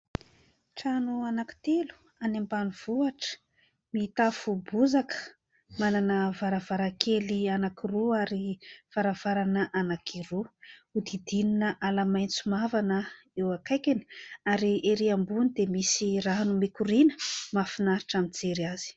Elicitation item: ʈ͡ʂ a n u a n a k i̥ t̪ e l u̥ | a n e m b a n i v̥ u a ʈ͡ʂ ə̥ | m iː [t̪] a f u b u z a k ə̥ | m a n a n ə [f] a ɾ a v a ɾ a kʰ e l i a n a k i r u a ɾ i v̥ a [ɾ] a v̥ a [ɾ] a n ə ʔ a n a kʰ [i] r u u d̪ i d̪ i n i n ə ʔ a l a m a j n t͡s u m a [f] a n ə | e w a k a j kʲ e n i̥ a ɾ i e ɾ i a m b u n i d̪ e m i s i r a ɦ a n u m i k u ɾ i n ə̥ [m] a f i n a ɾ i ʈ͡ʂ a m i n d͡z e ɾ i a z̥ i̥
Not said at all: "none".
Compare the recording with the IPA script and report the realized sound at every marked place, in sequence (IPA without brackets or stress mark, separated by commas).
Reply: t̪, v, ɾ, ɾ, i, v, m